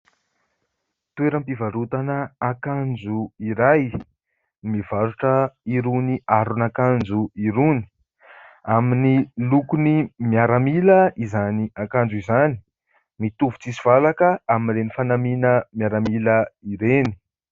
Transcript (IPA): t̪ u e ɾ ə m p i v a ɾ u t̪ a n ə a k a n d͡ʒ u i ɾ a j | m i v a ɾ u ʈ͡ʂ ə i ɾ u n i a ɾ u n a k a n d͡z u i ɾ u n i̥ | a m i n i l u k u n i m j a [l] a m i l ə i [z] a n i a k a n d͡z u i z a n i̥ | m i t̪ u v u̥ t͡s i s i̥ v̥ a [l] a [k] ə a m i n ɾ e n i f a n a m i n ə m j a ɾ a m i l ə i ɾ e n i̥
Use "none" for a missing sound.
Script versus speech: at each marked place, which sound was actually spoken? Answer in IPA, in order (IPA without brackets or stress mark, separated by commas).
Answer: ɾ, z, l, k